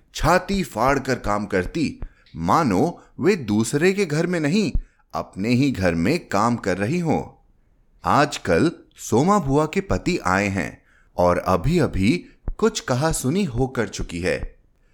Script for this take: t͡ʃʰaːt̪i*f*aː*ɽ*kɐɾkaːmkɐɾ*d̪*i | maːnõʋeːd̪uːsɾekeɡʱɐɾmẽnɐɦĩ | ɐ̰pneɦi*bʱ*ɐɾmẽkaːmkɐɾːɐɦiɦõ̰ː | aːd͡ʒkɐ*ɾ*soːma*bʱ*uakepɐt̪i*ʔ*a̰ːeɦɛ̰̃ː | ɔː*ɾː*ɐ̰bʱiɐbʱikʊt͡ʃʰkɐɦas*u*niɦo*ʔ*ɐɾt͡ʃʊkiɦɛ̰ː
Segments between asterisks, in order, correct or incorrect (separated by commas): correct, correct, incorrect, incorrect, incorrect, correct, correct, incorrect, incorrect, incorrect